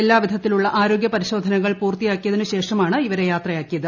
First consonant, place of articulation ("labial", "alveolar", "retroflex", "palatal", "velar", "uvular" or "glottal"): alveolar